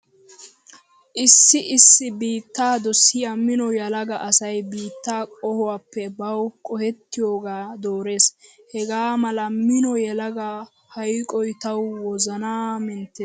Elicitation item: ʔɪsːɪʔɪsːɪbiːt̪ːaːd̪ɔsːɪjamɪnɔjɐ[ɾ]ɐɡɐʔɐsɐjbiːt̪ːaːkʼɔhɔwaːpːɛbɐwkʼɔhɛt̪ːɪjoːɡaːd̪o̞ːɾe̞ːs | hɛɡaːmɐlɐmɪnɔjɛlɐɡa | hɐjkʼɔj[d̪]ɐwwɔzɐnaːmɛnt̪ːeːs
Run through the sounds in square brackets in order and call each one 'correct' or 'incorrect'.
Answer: incorrect, incorrect

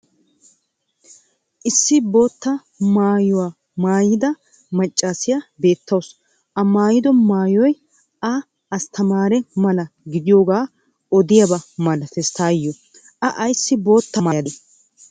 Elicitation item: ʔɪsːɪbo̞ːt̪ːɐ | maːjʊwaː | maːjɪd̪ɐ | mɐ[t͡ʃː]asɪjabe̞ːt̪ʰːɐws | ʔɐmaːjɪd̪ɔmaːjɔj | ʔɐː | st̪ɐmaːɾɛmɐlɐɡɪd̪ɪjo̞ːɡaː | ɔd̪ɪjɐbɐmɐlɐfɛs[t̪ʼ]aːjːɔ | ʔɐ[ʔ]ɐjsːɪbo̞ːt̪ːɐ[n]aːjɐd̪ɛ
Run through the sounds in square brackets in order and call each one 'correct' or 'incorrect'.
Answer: incorrect, incorrect, correct, incorrect

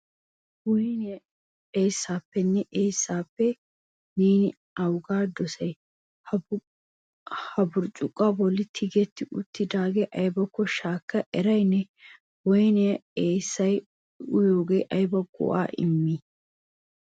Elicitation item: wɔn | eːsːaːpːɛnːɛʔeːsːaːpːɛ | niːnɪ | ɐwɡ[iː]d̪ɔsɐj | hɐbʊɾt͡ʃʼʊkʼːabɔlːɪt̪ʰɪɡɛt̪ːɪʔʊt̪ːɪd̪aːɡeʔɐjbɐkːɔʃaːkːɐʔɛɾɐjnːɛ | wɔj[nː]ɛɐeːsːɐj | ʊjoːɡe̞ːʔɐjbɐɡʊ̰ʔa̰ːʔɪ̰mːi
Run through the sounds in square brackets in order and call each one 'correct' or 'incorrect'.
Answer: incorrect, incorrect

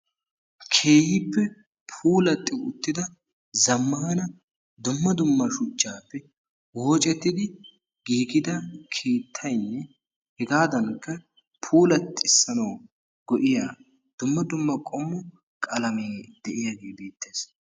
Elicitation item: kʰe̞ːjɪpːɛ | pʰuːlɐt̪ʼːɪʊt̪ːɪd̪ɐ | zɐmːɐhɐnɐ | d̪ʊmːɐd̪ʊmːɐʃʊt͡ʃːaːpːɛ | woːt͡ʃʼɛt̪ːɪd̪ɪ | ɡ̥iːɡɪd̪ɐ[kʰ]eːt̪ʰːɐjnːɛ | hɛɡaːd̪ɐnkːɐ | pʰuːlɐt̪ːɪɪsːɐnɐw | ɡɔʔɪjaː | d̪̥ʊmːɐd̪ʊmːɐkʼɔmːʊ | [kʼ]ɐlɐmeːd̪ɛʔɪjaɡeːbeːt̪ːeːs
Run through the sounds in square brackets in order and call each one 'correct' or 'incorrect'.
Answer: correct, correct

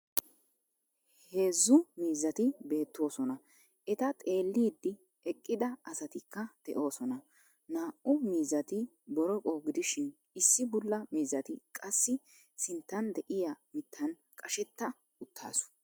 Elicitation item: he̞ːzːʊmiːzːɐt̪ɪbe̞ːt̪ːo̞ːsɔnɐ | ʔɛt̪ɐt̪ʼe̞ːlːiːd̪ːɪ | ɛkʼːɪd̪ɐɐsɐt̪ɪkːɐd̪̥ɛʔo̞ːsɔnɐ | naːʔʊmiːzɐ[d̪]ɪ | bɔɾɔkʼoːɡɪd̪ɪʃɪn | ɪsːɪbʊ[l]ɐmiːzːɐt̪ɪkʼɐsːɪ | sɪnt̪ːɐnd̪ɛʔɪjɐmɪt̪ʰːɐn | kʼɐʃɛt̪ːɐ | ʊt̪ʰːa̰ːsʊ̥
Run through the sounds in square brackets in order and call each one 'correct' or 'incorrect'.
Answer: incorrect, incorrect

